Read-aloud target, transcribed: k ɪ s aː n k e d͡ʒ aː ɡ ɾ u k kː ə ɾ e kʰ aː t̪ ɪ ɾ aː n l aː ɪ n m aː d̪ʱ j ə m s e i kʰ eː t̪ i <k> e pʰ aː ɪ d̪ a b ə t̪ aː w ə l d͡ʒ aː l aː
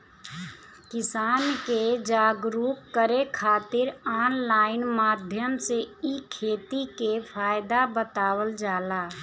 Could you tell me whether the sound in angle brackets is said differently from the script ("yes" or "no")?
no